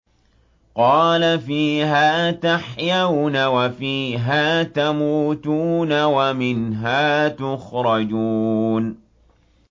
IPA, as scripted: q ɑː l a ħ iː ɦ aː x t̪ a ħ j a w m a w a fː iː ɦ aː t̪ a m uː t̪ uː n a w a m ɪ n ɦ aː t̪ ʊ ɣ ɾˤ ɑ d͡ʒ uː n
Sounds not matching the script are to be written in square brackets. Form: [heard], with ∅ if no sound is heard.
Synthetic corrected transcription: q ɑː l a [f] iː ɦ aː [∅] t̪ a ħ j a w [n] a w a [f] iː ɦ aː t̪ a m uː t̪ uː n a w a m ɪ n ɦ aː t̪ ʊ [x] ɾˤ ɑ d͡ʒ uː n